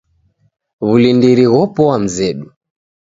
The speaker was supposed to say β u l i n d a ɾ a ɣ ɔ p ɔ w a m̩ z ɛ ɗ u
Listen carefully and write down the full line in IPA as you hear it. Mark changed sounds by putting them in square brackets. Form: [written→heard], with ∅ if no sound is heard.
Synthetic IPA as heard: β u l i n d [a→i] ɾ [a→i] ɣ ɔ p ɔ w a m̩ z ɛ ɗ u